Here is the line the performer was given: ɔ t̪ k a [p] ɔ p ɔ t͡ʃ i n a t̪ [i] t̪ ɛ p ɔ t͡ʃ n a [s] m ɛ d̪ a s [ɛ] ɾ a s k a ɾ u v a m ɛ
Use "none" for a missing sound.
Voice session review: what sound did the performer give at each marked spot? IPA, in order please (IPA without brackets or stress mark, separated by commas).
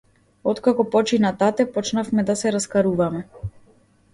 k, a, f, ɛ